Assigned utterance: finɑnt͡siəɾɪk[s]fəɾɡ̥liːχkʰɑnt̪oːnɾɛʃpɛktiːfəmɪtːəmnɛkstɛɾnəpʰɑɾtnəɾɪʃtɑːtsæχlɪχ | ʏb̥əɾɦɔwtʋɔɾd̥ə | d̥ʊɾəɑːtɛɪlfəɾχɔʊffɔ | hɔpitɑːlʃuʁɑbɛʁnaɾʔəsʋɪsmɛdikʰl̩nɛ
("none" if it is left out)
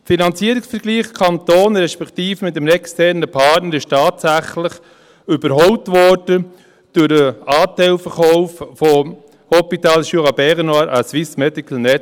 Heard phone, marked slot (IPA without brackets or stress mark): s